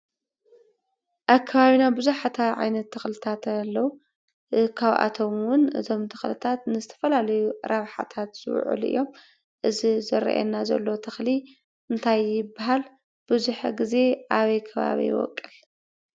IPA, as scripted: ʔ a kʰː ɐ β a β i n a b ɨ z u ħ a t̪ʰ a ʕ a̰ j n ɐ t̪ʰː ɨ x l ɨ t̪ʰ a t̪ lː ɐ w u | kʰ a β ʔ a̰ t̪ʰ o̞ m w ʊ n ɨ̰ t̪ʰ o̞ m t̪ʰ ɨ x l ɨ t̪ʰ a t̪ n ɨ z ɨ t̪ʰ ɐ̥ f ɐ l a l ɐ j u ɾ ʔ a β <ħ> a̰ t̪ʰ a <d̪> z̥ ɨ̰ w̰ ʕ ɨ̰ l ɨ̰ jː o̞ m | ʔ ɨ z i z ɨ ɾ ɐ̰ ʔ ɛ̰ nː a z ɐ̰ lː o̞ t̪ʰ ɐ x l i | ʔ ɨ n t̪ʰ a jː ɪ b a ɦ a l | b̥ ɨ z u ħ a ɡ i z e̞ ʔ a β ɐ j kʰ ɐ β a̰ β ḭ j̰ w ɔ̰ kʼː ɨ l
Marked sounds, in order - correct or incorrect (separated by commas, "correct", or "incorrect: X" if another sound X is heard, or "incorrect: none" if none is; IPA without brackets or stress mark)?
correct, incorrect: t̪